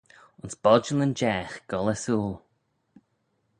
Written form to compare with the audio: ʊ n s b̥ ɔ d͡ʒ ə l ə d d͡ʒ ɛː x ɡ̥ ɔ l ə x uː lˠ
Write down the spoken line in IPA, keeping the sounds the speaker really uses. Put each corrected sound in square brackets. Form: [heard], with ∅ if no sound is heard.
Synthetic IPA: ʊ n s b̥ ɔ d͡ʒ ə l ə [n] d͡ʒ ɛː x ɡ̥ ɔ l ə [s] uː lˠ